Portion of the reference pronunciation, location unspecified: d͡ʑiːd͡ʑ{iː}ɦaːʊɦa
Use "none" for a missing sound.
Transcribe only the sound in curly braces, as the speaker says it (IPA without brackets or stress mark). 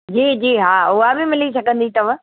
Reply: iː